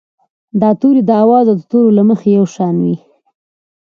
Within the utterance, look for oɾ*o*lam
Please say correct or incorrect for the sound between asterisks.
correct